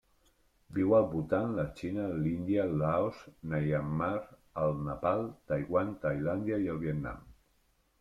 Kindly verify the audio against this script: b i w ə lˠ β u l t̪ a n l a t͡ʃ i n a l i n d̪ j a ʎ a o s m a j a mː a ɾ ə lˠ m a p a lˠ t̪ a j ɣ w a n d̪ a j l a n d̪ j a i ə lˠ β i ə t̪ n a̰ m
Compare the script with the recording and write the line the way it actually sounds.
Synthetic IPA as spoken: b i w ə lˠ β u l t̪ a n l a t͡ʃ i n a l i n d̪ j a l a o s n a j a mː a ɾ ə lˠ n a p a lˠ t̪ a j ɣ w a n t̪ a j l a n d̪ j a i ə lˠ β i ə t̪ n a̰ m